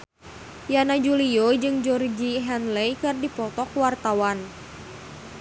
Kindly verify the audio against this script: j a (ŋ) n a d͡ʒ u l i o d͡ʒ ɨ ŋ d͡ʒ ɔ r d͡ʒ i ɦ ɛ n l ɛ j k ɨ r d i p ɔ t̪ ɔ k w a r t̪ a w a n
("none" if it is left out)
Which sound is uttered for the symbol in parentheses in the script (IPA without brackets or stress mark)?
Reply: none